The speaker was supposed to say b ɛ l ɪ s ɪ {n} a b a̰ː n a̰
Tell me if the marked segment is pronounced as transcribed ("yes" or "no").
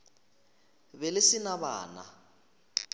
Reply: yes